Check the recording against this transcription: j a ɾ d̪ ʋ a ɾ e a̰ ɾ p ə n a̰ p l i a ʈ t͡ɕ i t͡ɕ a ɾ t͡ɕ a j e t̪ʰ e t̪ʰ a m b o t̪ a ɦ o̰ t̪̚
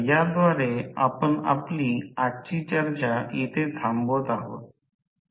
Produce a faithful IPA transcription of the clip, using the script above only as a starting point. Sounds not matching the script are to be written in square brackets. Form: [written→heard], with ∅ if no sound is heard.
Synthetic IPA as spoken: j a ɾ d̪ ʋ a ɾ e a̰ [ɾ→∅] p ə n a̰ p l i a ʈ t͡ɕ i t͡ɕ [a→ə] ɾ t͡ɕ a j e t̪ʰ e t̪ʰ a m b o t̪ a ɦ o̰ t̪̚

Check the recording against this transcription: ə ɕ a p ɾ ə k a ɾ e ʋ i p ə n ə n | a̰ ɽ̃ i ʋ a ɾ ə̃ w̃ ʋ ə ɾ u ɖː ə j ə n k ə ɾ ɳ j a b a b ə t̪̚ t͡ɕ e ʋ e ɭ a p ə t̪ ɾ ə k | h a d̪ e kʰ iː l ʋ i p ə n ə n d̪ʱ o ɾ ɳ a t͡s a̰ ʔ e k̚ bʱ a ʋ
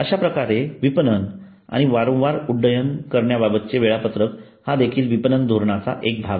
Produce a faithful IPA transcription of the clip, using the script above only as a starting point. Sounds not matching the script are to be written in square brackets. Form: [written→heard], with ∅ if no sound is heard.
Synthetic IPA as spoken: ə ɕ a p ɾ ə k a ɾ e ʋ i p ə n ə n | a̰ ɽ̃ i ʋ a ɾ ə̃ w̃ ʋ [ə→a] ɾ u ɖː ə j ə n k ə ɾ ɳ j a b a b ə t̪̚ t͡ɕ e ʋ e ɭ a p ə t̪ ɾ ə k | h a d̪ e kʰ iː l ʋ i p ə n ə n d̪ʱ o ɾ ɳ a t͡s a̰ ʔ e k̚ bʱ a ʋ

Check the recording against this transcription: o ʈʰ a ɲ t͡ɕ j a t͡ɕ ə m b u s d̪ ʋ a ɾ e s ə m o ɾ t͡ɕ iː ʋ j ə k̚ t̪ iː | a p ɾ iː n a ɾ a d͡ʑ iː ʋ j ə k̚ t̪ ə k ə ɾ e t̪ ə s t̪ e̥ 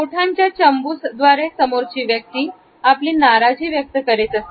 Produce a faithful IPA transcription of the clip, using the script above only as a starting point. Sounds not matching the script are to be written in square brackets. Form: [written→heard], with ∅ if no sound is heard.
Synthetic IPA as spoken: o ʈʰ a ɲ t͡ɕ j a t͡ɕ ə m b u s d̪ ʋ a ɾ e s ə m o ɾ t͡ɕ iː ʋ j ə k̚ t̪ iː | a p [ɾ→l] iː n a ɾ a d͡ʑ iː ʋ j ə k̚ t̪ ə k ə ɾ e t̪ ə s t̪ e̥

